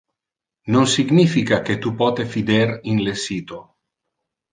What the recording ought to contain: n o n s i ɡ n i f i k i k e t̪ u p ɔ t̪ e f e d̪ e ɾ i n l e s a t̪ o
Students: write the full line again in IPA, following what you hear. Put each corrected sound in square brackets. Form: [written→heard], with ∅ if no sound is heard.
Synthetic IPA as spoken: n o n s i ɡ n i f i k [i→a] k e t̪ u p ɔ t̪ e f [e→i] d̪ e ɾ i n l e s [a→i] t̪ o